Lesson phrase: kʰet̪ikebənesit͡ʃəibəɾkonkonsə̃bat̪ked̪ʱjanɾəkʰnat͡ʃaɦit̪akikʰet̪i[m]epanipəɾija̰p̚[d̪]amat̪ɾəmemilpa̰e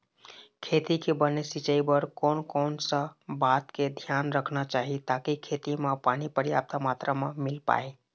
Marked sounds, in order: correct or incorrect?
correct, incorrect: t̪

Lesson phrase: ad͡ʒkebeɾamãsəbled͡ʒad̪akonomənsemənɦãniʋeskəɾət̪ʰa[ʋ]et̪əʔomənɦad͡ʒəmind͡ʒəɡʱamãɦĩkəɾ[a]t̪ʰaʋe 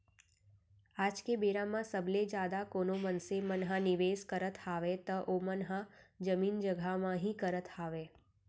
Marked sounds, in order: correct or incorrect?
correct, incorrect: ə

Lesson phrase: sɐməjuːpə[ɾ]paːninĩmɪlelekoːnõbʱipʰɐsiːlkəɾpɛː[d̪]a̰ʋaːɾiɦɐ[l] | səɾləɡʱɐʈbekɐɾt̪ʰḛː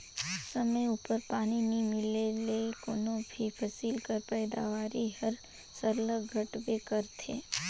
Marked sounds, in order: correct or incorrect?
correct, correct, incorrect: ɾ

